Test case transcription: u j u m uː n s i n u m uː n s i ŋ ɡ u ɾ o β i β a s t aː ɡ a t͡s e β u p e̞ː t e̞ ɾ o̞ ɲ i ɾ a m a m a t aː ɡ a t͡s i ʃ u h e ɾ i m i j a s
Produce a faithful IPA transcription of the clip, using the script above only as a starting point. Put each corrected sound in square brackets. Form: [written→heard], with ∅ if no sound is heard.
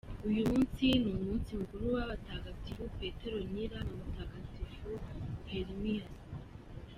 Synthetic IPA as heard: u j u m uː n s i n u m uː n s i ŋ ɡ u ɾ [o→u] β [i→a] β a [s→∅] t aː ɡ a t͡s [e→i] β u p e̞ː t e̞ ɾ o̞ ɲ i ɾ a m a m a t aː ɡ a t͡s i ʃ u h e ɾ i m i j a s

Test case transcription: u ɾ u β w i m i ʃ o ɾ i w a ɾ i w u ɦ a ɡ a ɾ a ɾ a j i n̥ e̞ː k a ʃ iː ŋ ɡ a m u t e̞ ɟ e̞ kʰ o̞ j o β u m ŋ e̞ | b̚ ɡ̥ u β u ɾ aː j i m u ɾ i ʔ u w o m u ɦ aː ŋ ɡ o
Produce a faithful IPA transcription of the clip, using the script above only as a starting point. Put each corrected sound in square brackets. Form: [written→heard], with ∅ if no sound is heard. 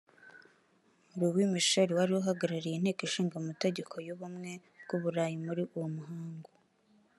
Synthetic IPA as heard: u ɾ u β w i m i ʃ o ɾ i w a ɾ i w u ɦ a ɡ a ɾ a ɾ [a→i] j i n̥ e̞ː k [a→i] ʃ iː ŋ ɡ a m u t e̞ ɟ e̞ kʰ o̞ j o β u m ŋ e̞ | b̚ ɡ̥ u β u ɾ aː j i m u ɾ i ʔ u w o m u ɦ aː ŋ ɡ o

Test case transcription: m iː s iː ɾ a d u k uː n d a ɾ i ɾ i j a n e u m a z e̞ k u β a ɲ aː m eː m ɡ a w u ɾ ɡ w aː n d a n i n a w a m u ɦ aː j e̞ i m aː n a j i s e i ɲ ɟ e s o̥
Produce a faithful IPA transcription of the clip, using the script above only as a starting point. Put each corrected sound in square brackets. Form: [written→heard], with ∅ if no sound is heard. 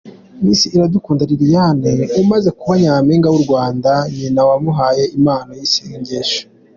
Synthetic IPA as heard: m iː s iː ɾ a d u k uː n d a ɾ i ɾ i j a n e u m a z e̞ k u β a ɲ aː m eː [m→ŋ] ɡ a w u ɾ ɡ w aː n d a [n→ɲ] i n a w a m u ɦ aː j e̞ i m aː n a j i s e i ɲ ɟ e [s→ʃ] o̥

